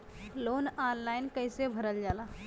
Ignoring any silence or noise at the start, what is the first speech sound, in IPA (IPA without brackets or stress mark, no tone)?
l